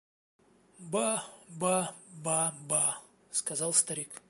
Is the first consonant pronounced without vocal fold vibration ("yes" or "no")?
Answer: no